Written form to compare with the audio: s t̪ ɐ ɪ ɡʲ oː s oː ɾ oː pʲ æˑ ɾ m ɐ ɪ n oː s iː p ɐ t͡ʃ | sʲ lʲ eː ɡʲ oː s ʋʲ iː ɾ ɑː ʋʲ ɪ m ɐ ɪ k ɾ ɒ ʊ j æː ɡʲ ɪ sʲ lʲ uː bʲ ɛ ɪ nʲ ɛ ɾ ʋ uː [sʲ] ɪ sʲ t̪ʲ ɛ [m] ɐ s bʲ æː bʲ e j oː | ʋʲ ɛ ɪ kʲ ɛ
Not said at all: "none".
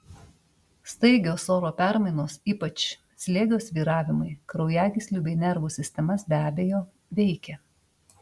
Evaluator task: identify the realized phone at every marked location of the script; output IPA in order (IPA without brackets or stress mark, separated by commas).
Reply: sʲ, m